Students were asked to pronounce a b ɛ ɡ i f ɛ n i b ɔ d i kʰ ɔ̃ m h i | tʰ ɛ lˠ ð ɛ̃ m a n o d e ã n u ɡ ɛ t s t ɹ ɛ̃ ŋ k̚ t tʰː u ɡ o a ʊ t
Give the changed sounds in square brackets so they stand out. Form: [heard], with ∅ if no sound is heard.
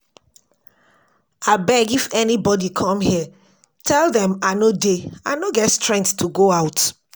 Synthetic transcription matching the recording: a b ɛ ɡ i f ɛ n i b ɔ d i kʰ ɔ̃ m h i | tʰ ɛ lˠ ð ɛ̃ m a n o d e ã n [o] ɡ ɛ t s t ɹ ɛ̃ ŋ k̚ t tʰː u ɡ o a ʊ t